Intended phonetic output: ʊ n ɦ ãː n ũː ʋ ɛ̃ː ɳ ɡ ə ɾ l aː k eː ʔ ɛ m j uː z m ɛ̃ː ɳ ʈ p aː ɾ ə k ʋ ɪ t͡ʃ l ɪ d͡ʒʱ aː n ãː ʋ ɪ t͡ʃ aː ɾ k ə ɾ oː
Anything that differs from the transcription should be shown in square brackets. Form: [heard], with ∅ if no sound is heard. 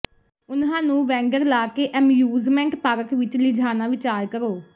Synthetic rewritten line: ʊ n ɦ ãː n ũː ʋ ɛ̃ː [ŋ] ɡ ə ɾ l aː k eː ʔ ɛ m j uː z m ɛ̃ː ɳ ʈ p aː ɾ ə k ʋ ɪ t͡ʃ l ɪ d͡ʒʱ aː n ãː ʋ ɪ t͡ʃ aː ɾ k ə ɾ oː